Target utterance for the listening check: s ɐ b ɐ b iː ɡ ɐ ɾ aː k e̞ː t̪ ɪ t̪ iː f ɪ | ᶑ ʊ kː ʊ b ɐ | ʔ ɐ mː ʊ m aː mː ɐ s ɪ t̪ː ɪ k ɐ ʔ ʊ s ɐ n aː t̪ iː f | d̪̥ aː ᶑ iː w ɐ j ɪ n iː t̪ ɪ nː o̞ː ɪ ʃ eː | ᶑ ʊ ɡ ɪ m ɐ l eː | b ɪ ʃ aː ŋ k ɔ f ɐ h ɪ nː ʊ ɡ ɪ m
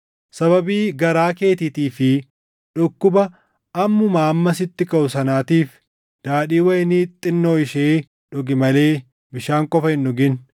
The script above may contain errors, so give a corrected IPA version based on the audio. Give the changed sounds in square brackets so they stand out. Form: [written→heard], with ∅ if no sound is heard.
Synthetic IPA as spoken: s ɐ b ɐ b iː ɡ ɐ ɾ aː k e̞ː t̪ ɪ t̪ iː f ɪ | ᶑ ʊ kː ʊ b ɐ | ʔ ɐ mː ʊ m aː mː ɐ s ɪ t̪ː ɪ k ɐ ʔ ʊ s ɐ n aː t̪ iː f | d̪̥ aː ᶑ iː w ɐ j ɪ n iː [t̪→t̪ʼ] ɪ nː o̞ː ɪ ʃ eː | ᶑ ʊ ɡ ɪ m ɐ l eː | b ɪ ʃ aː ŋ [k→kʼ] ɔ f ɐ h ɪ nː ʊ ɡ ɪ [m→n]